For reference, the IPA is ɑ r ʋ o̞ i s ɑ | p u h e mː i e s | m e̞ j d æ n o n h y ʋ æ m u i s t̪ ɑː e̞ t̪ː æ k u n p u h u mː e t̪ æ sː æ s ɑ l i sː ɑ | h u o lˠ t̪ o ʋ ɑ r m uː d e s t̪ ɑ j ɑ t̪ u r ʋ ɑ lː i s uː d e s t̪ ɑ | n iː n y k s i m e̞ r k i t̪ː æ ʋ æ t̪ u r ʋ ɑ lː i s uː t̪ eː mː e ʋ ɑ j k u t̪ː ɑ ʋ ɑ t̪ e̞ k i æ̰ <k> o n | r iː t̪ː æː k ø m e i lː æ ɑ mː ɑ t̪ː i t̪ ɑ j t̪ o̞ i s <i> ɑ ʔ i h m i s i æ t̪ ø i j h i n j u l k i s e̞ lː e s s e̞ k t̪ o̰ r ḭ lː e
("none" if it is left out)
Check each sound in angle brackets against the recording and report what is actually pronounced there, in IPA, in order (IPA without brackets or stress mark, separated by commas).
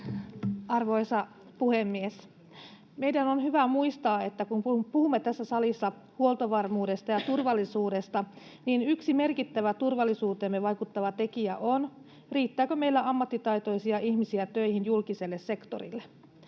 ʔ, i